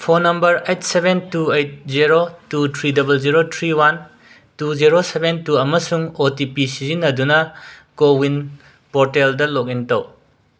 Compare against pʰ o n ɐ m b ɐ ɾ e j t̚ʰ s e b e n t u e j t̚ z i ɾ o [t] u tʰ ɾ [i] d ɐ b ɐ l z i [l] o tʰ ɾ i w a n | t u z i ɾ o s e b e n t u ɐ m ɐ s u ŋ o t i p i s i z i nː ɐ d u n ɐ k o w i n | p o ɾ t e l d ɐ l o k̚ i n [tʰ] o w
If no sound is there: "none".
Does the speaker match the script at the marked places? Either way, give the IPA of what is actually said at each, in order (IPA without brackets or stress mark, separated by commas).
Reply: t, i, ɾ, t